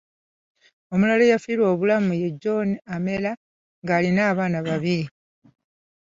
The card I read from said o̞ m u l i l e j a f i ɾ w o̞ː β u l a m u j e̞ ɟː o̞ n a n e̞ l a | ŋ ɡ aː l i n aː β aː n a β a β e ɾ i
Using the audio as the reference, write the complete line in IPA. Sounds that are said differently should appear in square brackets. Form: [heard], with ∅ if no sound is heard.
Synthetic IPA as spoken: o̞ m u l [a] l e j a f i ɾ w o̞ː β u l a m u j e̞ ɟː o̞ n a [m] e̞ l a | ŋ ɡ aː l i n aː β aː n a β a β [i] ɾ i